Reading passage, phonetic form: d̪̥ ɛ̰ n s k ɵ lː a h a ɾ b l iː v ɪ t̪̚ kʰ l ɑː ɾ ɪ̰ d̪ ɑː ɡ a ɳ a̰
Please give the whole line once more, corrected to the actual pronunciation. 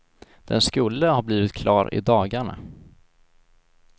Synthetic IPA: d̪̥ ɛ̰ n s k ɵ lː ə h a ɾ b l iː v ɪ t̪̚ kʰ l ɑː ɾ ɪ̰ d̪ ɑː ɡ a ɳ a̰

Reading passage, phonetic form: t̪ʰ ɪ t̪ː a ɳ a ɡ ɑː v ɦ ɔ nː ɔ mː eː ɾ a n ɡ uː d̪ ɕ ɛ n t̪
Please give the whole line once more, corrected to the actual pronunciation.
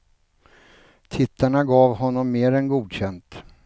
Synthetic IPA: t̪ʰ ɪ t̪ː a ɳ a ɡ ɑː v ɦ ɔ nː ɔ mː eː ɾ ɛ n ɡ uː d̪ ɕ ɛ n t̪

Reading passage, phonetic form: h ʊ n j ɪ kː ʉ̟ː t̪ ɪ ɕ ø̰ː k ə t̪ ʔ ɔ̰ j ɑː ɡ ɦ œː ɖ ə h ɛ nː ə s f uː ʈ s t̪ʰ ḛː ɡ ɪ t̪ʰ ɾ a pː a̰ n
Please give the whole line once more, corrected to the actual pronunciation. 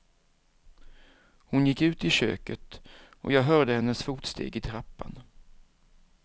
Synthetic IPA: h ʊ n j ɪ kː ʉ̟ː t̪ ɪ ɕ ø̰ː k ə t̪ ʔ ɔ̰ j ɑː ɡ ɦ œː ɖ ə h ɛ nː ə s f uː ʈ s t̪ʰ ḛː ɡ ɪ t̪ʰ ɾ a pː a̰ n

